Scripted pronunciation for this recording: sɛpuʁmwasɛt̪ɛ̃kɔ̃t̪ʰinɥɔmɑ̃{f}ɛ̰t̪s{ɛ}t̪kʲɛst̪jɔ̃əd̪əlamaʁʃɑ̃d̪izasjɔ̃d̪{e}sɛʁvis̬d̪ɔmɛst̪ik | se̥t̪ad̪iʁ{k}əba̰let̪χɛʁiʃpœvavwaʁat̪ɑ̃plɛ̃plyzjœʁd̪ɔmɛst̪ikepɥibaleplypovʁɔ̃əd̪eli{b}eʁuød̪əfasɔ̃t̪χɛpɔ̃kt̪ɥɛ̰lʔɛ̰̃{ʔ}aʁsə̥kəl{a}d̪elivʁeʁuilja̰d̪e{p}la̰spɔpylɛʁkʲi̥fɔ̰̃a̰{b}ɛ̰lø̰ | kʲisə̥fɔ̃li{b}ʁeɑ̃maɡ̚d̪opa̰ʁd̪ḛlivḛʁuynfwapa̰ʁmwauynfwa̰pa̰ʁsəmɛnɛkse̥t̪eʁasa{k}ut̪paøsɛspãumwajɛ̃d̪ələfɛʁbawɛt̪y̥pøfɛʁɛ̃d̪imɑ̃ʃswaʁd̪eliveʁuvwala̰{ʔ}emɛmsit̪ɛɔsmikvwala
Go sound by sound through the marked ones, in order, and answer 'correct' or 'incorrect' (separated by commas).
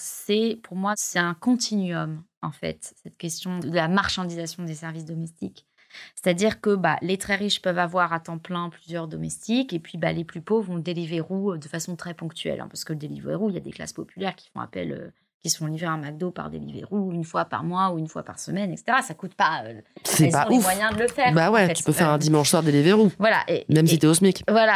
correct, correct, correct, correct, incorrect, incorrect, incorrect, incorrect, incorrect, incorrect, correct, correct